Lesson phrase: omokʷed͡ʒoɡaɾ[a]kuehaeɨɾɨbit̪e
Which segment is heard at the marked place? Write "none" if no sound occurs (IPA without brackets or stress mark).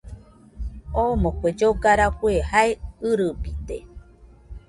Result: a